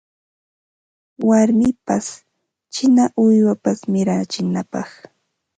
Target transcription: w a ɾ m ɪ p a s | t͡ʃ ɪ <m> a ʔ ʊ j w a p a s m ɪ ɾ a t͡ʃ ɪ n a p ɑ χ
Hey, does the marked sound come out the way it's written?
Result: no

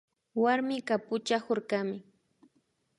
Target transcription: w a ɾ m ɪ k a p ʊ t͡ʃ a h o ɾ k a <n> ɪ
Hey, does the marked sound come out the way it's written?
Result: no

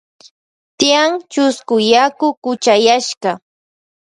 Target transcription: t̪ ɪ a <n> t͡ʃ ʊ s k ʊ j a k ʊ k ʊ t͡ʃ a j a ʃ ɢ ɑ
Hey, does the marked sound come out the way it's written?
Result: no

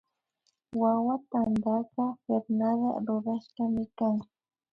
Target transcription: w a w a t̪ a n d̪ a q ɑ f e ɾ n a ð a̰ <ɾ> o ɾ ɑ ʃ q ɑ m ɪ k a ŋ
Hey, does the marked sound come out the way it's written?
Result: yes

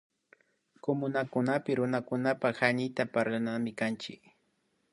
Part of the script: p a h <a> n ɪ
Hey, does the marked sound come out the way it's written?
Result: yes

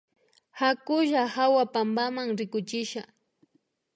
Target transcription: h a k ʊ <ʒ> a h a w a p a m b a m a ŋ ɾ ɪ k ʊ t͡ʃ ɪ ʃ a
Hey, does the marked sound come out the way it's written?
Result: yes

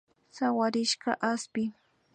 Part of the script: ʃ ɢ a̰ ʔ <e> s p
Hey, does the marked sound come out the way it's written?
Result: no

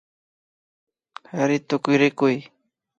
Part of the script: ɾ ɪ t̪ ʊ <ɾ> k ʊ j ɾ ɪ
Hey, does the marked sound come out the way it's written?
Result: no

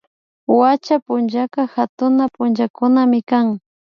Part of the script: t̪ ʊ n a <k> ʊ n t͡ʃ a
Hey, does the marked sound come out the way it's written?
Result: no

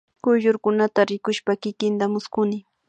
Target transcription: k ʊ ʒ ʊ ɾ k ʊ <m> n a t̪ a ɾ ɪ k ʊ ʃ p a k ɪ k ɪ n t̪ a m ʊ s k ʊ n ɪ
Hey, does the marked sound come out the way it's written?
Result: no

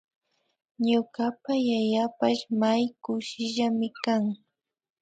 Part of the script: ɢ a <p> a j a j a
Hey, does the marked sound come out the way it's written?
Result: yes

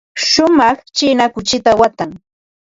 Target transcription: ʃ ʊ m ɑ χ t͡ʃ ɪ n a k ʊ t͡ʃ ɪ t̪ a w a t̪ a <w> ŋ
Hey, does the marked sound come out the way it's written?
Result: no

